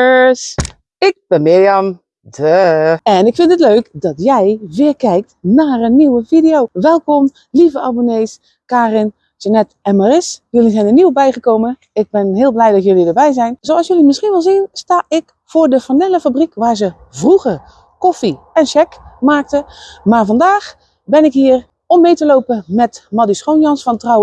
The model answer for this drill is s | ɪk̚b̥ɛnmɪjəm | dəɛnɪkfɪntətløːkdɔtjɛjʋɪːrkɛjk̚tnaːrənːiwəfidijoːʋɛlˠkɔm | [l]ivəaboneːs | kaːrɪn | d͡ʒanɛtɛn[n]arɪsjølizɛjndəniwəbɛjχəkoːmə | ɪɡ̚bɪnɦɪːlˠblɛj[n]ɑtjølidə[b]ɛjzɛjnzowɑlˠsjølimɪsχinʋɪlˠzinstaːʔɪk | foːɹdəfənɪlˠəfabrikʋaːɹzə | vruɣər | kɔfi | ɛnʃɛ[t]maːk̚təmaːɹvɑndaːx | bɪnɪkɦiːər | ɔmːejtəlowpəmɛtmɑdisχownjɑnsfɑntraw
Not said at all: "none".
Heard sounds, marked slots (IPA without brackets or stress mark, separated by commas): l, m, d, b, k